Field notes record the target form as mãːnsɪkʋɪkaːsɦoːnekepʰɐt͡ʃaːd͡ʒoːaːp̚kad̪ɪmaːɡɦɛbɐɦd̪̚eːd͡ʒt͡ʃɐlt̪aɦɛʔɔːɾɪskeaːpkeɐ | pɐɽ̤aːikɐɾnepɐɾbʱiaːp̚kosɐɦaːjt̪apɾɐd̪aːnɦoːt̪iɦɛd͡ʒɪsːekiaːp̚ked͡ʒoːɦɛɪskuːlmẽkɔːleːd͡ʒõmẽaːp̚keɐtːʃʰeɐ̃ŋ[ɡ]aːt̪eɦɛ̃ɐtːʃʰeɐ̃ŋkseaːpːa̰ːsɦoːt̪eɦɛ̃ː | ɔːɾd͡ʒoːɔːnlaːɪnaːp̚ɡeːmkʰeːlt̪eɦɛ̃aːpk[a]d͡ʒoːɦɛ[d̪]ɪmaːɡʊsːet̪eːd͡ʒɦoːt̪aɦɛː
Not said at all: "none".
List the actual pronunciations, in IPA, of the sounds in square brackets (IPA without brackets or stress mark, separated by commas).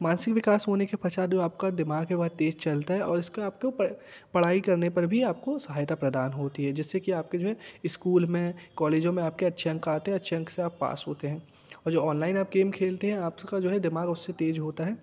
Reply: k, a, d̪